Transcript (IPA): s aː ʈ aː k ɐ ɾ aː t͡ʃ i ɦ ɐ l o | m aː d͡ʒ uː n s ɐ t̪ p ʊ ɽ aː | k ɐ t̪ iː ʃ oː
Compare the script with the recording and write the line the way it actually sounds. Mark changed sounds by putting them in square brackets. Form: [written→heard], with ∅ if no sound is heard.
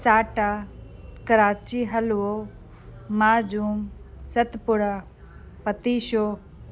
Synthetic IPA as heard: s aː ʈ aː k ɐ ɾ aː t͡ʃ i ɦ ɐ l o | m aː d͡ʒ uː [n→m] s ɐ t̪ p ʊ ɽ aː | [k→p] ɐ t̪ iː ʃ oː

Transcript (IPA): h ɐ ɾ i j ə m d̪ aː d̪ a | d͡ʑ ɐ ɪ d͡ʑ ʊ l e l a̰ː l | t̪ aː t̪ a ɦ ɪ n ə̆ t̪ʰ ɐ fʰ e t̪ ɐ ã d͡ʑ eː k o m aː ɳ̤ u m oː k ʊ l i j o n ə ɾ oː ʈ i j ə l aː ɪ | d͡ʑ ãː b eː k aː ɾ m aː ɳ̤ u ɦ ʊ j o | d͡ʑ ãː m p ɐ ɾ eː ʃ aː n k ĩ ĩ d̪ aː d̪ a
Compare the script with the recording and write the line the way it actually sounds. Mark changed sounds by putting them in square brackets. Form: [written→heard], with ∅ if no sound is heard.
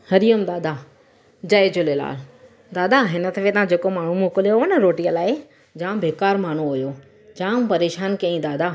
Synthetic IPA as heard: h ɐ ɾ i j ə m d̪ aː d̪ a | d͡ʑ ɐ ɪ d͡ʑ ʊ l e l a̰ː l | [t̪→d̪] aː [t̪→d̪] a ɦ ɪ n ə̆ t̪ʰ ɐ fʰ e t̪ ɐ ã d͡ʑ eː k o m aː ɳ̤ u m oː k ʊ l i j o n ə ɾ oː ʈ i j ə l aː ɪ | d͡ʑ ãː b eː k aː ɾ m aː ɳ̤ u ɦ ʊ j o | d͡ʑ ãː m p ɐ ɾ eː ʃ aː n k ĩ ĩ d̪ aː d̪ a

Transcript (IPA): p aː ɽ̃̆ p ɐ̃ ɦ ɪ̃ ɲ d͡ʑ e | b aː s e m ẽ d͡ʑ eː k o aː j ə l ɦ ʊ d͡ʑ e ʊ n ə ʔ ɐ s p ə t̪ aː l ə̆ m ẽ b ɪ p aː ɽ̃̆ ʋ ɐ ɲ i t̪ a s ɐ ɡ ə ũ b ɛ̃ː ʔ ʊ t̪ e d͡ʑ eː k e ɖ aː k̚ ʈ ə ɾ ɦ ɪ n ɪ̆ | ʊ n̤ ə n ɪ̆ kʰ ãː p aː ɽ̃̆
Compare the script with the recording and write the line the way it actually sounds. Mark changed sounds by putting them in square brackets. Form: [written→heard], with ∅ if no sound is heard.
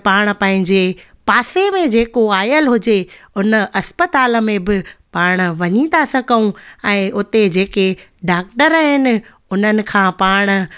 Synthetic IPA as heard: p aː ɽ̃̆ p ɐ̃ ɦ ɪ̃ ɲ d͡ʑ e | [b→p] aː s e m ẽ d͡ʑ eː k o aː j ə l ɦ ʊ d͡ʑ e ʊ n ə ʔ ɐ s p ə t̪ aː l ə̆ m ẽ b ɪ p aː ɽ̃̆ ʋ ɐ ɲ i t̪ a s ɐ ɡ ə ũ [b→∅] ɛ̃ː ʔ ʊ t̪ e d͡ʑ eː k e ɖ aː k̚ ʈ ə ɾ ɦ ɪ n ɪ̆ | ʊ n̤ ə n ɪ̆ kʰ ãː p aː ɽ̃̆

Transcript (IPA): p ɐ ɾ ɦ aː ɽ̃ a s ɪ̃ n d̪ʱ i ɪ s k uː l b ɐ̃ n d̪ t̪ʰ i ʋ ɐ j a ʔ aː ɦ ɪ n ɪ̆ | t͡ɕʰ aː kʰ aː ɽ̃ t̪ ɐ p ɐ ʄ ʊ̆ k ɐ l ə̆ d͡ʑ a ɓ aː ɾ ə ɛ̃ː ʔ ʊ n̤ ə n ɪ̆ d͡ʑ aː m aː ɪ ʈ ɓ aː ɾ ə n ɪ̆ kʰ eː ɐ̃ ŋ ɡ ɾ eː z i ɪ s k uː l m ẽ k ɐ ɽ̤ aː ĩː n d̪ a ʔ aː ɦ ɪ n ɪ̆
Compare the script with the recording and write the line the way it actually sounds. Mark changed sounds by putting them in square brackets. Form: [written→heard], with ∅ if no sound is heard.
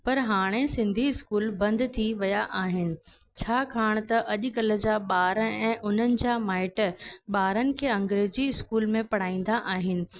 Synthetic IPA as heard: p ɐ ɾ ɦ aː ɽ̃ [a→e] s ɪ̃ n d̪ʱ i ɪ s k uː l b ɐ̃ n d̪ t̪ʰ i ʋ ɐ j a ʔ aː ɦ ɪ n ɪ̆ | t͡ɕʰ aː kʰ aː ɽ̃ t̪ ɐ [p→ʔ] ɐ ʄ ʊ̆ k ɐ l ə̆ d͡ʑ a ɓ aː ɾ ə ɛ̃ː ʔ ʊ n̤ ə n ɪ̆ d͡ʑ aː m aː ɪ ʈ ɓ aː ɾ ə n ɪ̆ kʰ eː ɐ̃ ŋ ɡ ɾ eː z i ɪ s k uː l m ẽ [k→p] ɐ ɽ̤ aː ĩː n d̪ a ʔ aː ɦ ɪ n ɪ̆

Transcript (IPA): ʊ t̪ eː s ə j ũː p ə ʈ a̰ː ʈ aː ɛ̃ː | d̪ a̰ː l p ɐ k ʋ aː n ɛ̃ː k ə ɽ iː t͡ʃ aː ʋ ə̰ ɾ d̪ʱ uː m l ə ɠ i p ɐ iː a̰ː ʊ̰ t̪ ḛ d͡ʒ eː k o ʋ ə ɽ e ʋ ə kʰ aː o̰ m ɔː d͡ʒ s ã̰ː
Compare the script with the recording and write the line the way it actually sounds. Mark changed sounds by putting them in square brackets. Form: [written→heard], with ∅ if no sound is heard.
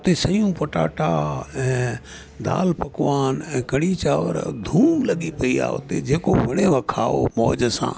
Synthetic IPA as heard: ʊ t̪ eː s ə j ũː p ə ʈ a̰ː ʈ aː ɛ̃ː | d̪ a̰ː l p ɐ k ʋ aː n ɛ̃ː k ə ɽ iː t͡ʃ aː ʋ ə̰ ɾ d̪ʱ uː m l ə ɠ i p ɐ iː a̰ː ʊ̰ t̪ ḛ d͡ʒ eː k o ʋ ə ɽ e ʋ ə kʰ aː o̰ m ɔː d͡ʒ s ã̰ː

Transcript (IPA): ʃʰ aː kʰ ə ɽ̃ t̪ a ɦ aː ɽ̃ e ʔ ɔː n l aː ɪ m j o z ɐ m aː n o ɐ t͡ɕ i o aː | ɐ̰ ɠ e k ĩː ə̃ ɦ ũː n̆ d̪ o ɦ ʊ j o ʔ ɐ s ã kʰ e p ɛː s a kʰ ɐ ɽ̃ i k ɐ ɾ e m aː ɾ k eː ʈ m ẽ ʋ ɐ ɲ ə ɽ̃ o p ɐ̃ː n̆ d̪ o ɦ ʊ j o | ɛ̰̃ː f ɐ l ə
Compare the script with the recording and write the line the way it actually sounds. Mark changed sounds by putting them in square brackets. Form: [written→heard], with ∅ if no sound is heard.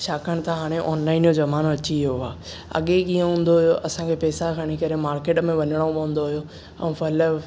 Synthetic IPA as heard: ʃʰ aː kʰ ə ɽ̃ t̪ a ɦ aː ɽ̃ e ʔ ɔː n l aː ɪ [m→n] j o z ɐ m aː n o ɐ t͡ɕ i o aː | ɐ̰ ɠ e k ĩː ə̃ ɦ ũː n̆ d̪ o ɦ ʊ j o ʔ ɐ s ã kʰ e p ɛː s a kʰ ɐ ɽ̃ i k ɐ ɾ e m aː ɾ k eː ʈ m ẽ ʋ ɐ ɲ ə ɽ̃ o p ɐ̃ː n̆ d̪ o ɦ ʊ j o | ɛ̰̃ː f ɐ l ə

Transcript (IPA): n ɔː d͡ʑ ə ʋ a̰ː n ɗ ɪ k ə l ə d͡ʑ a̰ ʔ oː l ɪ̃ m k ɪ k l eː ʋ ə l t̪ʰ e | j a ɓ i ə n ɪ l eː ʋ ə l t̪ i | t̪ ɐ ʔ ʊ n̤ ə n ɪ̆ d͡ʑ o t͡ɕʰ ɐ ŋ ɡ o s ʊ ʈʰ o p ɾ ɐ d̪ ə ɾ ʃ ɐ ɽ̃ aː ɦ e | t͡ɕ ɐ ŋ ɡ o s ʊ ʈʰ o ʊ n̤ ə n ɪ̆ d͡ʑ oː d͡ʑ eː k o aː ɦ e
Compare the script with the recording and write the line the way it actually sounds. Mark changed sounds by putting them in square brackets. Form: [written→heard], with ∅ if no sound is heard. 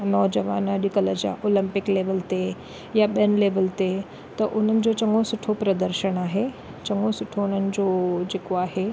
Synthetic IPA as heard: n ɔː d͡ʑ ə ʋ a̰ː n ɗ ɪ k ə l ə d͡ʑ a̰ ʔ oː l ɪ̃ m [k→p] ɪ k l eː ʋ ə l [t̪ʰ→t̪] e | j a ɓ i ə n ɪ l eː ʋ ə l t̪ [i→e] | t̪ ɐ ʔ ʊ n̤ ə n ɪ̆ d͡ʑ o [t͡ɕʰ→t͡ɕ] ɐ ŋ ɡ o s ʊ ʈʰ o p ɾ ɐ d̪ ə ɾ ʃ [ɐ→ə] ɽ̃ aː ɦ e | t͡ɕ ɐ ŋ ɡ o s ʊ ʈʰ o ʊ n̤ ə n ɪ̆ d͡ʑ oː d͡ʑ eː k o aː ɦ e

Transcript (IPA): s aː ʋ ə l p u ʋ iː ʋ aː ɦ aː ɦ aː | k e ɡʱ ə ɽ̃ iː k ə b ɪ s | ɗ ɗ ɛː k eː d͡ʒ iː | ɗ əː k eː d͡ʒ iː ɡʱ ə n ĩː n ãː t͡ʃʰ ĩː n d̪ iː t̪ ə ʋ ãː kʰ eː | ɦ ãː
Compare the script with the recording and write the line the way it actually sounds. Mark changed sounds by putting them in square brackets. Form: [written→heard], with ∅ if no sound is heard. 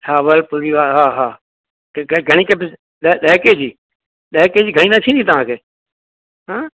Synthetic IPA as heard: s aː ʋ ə l p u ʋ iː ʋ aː ɦ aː ɦ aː | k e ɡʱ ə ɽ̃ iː k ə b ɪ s | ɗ ɗ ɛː k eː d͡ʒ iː | ɗ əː k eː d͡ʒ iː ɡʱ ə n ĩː n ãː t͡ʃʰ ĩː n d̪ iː t̪ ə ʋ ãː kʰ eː | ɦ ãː

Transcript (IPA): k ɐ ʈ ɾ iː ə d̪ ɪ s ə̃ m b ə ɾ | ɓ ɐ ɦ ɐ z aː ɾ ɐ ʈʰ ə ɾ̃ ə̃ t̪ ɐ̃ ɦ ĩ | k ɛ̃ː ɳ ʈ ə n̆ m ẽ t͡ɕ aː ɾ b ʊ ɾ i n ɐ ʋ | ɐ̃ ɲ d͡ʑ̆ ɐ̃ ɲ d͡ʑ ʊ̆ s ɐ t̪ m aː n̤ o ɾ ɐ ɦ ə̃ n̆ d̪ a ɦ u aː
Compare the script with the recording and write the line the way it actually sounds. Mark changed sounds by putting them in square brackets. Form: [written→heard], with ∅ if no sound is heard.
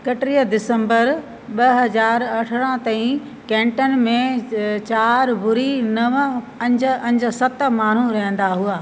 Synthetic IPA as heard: k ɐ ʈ ɾ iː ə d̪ ɪ s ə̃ m b ə ɾ | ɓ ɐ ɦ ɐ z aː ɾ ɐ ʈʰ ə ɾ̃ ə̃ t̪ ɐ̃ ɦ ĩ | k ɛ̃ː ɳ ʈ ə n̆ m ẽ t͡ɕ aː ɾ b ʊ ɾ i n ɐ ʋ | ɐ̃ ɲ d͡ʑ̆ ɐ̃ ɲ d͡ʑ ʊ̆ s ɐ t̪ m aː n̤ [o→u] ɾ ɐ ɦ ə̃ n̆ d̪ a ɦ u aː

